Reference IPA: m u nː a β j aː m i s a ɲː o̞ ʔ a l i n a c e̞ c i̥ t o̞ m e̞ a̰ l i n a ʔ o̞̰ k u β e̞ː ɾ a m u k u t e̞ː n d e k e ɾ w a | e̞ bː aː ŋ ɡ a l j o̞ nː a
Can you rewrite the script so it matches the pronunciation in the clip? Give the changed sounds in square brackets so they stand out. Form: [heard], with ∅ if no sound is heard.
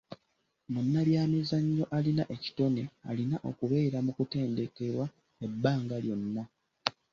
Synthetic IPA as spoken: m u nː a β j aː m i [z] a ɲː o̞ ʔ a l i n a [ʔ] e̞ c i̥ t o̞ [n] e̞ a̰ l i n a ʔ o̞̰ k u β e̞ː ɾ a m u k u t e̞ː n d e k e ɾ w a | e̞ bː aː ŋ ɡ a l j o̞ nː a